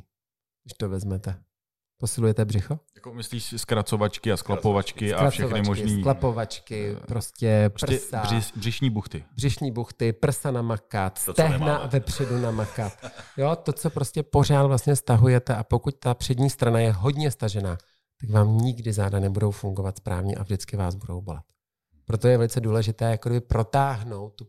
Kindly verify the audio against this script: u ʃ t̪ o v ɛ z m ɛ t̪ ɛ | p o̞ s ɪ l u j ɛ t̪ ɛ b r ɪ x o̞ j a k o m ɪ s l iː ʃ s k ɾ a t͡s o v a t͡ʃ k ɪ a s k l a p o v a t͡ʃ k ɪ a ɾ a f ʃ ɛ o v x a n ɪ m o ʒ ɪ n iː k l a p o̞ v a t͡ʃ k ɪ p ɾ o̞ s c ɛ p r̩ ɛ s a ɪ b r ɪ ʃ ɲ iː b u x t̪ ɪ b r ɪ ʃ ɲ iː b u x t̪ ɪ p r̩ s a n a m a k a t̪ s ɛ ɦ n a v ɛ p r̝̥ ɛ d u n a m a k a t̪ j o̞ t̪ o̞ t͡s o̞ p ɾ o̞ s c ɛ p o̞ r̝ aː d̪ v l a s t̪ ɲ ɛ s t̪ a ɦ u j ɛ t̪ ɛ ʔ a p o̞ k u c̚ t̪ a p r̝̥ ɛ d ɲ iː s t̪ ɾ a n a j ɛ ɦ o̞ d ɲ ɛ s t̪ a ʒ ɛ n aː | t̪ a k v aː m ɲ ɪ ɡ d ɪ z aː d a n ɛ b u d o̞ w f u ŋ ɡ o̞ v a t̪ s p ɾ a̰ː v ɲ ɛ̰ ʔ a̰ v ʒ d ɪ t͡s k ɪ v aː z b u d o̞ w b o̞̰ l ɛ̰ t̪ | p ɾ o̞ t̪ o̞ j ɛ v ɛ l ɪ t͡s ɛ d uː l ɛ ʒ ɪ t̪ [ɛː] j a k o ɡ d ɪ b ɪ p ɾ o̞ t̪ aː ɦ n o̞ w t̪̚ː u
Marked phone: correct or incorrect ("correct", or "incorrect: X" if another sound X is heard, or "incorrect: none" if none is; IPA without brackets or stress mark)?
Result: correct